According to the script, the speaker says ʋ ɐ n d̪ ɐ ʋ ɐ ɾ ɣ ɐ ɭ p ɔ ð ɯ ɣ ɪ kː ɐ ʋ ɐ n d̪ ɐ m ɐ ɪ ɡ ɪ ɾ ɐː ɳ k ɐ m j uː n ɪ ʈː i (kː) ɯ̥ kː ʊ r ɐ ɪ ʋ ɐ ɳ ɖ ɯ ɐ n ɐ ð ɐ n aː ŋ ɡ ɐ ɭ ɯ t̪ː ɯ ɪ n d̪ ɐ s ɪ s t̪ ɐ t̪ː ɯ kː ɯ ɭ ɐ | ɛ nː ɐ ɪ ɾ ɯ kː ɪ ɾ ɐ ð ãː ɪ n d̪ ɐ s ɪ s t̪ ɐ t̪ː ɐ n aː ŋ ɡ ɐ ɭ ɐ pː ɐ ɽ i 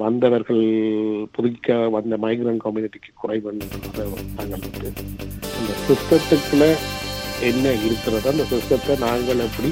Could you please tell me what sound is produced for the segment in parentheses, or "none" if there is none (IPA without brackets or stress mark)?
kː